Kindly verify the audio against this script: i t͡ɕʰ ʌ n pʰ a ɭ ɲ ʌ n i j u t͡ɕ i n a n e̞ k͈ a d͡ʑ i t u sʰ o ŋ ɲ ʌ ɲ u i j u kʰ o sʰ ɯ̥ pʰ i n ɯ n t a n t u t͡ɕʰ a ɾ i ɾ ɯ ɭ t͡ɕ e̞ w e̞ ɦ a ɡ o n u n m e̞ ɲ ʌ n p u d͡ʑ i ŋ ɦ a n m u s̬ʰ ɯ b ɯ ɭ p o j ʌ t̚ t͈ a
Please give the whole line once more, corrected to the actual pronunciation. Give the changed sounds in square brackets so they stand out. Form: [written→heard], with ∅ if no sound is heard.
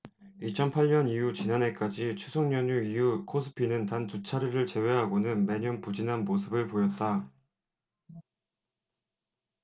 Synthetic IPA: i t͡ɕʰ ʌ n pʰ a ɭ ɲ ʌ n i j u t͡ɕ i n a n e̞ k͈ a d͡ʑ i [t→t͡ɕʰ] u sʰ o ŋ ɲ ʌ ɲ u i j u kʰ o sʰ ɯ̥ pʰ i n ɯ n t a n t u t͡ɕʰ a ɾ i ɾ ɯ ɭ t͡ɕ e̞ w e̞ ɦ a ɡ o n [u→ɯ] n m e̞ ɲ ʌ n p u d͡ʑ i [ŋ→n] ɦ a n m [u→o] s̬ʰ ɯ b ɯ ɭ p o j ʌ t̚ t͈ a